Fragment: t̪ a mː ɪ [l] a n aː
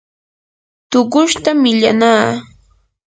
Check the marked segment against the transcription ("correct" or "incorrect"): incorrect